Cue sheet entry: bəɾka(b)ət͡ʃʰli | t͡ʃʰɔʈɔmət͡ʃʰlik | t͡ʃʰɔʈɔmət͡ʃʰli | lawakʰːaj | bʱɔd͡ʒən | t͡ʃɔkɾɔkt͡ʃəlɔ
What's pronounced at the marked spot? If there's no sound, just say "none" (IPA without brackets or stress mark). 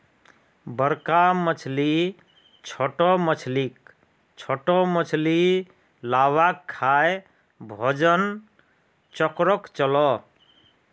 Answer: m